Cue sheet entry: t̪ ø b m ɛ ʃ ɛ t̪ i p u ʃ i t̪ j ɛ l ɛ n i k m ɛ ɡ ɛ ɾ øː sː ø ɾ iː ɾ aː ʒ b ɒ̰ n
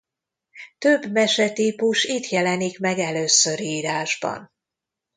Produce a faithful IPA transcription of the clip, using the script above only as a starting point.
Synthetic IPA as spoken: t̪ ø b m ɛ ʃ ɛ t̪ i p u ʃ i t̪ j ɛ l ɛ n i k m ɛ ɡ ɛ l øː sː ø ɾ iː ɾ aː ʒ b ɒ̰ n